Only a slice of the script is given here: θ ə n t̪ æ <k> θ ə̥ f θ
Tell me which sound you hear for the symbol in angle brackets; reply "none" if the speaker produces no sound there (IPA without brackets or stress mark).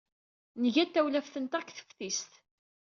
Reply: k